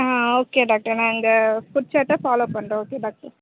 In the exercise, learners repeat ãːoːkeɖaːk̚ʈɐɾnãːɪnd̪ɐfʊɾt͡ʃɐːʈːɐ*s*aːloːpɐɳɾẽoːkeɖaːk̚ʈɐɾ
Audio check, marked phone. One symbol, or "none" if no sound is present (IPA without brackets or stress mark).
f